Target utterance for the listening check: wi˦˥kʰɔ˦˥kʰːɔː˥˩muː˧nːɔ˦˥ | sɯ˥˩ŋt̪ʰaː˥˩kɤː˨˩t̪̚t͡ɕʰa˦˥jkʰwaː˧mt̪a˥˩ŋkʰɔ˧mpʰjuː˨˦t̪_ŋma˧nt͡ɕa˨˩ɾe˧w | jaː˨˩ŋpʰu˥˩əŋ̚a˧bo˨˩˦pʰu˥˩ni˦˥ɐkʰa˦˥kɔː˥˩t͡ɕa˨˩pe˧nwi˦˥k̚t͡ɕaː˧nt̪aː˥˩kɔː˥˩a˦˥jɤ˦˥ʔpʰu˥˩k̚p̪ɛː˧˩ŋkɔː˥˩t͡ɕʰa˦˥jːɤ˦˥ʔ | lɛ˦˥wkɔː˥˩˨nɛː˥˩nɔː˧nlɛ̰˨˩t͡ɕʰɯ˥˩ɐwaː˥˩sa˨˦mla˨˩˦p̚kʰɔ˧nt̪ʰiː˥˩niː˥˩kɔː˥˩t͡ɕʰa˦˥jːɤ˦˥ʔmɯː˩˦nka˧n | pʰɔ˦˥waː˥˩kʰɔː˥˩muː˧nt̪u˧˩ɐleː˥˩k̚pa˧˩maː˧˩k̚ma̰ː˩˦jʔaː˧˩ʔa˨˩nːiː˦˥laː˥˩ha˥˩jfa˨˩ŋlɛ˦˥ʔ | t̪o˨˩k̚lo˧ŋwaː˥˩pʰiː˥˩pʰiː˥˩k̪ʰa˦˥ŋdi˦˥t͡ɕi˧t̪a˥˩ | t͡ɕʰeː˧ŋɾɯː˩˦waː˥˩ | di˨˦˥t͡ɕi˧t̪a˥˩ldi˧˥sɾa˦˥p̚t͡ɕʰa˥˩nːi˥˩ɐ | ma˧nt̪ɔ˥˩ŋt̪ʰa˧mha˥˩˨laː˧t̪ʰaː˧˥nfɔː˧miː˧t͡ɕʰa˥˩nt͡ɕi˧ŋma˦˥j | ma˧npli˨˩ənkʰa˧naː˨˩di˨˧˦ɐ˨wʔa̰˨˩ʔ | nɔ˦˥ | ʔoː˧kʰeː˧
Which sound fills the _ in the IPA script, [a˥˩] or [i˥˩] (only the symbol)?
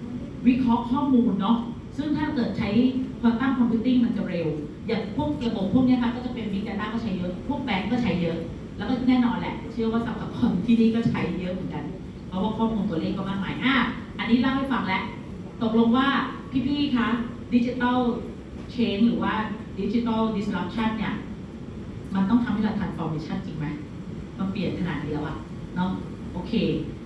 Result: i˥˩